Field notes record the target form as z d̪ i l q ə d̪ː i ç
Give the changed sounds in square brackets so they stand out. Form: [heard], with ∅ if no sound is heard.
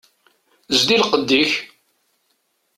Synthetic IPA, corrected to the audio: z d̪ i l q ə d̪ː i ç